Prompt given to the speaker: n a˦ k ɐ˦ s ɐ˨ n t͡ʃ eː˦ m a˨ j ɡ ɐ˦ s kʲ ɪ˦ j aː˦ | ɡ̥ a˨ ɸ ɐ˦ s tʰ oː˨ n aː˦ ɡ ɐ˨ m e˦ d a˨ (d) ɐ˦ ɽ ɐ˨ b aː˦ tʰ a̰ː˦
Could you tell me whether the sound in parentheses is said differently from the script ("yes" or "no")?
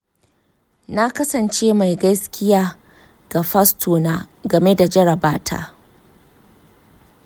yes